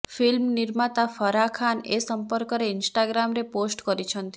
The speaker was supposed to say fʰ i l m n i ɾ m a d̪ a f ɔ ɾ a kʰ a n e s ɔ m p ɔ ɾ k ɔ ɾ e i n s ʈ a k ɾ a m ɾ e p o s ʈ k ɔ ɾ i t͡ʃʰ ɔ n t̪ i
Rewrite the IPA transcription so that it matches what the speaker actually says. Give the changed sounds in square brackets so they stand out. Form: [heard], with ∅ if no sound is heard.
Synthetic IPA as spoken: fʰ i l m n i ɾ m a [t̪] a f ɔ ɾ a kʰ a n e s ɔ m p ɔ ɾ k ɔ ɾ e i n s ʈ a [ɡ] ɾ a m ɾ e p o s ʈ k ɔ ɾ i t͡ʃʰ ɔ n t̪ i